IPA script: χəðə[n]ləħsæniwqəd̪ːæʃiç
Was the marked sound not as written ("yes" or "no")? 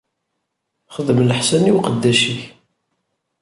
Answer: yes